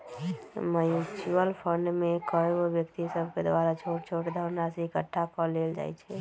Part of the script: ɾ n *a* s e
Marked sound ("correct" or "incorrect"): correct